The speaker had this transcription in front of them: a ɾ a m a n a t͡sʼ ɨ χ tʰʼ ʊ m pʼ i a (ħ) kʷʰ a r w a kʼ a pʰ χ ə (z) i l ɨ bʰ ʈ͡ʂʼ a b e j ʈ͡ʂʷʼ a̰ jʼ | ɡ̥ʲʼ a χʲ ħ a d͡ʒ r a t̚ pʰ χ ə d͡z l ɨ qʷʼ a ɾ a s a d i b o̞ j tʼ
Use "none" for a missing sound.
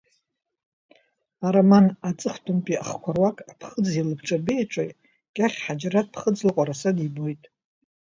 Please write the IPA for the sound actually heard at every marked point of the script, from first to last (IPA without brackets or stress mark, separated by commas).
χ, d͡z